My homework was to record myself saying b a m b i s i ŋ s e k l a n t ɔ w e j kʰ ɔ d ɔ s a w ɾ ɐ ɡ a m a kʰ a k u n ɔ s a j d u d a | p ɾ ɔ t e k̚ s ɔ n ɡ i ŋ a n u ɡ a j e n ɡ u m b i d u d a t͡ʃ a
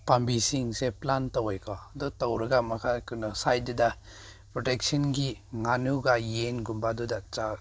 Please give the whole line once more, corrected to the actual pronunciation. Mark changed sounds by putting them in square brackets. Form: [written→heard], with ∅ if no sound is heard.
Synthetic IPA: [b→p] a m b i s i ŋ s e [k→p] l a n t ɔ w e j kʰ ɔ d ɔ [s→t] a w ɾ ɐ ɡ a m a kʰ a k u n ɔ s a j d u d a | p ɾ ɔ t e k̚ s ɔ n ɡ i ŋ a n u ɡ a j e n ɡ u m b [i→a] d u d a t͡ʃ a